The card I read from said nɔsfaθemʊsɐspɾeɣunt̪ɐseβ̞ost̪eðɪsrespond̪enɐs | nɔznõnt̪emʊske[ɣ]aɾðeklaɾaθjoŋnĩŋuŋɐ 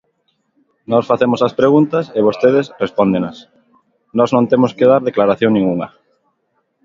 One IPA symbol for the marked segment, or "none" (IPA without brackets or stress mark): ð